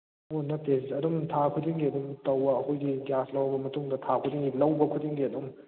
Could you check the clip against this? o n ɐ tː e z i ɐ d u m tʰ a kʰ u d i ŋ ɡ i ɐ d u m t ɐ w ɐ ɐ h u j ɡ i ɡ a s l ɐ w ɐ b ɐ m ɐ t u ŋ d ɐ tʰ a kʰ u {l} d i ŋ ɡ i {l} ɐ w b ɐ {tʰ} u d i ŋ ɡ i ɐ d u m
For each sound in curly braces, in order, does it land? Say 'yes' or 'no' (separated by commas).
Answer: no, yes, no